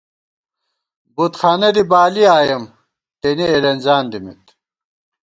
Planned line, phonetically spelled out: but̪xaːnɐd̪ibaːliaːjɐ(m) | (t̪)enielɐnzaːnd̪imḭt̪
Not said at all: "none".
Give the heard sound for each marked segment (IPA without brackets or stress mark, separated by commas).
m, t̪